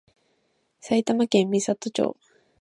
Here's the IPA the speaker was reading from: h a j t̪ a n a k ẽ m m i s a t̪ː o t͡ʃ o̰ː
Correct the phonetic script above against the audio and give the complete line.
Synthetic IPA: s a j t̪ a m a k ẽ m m i s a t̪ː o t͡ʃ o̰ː